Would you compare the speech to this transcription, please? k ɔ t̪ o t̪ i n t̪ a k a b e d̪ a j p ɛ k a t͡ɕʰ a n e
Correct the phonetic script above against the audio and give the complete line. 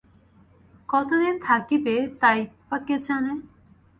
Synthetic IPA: k ɔ t̪ o d̪ i n t̪ʰ a k i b e t̪ a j p a k e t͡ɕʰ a n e